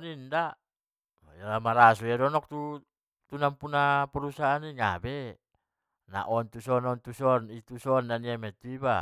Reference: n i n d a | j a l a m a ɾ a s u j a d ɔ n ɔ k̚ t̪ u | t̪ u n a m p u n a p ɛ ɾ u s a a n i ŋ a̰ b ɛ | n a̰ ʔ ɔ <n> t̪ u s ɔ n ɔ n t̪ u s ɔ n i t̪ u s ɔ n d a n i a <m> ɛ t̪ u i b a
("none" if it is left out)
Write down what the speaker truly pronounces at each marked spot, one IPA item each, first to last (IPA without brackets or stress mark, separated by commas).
n, m